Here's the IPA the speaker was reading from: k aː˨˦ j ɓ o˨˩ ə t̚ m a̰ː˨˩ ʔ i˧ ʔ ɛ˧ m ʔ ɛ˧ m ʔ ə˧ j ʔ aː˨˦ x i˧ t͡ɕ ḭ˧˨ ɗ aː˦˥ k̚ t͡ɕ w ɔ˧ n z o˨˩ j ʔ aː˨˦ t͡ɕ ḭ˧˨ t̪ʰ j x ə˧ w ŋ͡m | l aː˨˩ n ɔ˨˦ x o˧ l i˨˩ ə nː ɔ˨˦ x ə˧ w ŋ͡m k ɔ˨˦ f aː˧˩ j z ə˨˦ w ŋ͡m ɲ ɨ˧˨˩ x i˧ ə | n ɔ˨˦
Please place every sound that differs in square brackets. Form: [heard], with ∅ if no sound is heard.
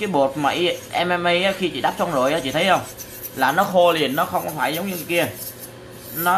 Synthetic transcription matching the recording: k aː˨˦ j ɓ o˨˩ ə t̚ m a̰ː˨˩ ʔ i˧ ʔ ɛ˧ m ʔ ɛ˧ m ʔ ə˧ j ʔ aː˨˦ x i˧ t͡ɕ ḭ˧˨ ɗ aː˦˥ [p̚] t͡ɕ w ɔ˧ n z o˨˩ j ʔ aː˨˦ t͡ɕ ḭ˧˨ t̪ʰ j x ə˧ w ŋ͡m | l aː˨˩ n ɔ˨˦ x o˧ l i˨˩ ə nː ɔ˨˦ x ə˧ w ŋ͡m k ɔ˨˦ f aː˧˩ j z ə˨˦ w ŋ͡m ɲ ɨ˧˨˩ [k] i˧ ə | n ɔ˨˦